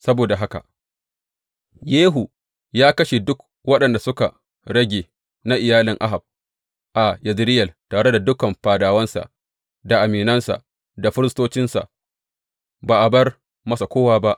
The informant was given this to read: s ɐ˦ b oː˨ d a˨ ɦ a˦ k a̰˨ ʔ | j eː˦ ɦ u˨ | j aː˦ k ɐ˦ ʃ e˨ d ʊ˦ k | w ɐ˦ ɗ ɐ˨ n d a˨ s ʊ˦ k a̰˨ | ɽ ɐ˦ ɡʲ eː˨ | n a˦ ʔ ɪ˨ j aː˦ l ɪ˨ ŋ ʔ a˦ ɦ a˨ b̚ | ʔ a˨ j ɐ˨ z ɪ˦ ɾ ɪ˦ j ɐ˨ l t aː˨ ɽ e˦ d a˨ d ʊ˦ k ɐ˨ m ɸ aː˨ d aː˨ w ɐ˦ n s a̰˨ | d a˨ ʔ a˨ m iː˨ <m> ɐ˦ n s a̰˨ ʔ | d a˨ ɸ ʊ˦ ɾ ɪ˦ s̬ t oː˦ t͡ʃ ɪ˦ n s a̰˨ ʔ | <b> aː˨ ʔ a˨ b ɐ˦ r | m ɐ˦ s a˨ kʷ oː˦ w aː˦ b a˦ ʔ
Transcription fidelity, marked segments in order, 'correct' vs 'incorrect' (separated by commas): incorrect, correct